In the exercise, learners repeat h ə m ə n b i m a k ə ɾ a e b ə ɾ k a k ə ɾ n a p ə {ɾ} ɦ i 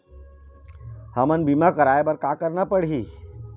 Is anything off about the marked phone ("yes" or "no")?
yes